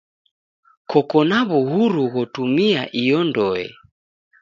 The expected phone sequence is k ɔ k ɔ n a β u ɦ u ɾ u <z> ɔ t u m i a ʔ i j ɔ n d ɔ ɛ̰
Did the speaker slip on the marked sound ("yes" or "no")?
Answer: yes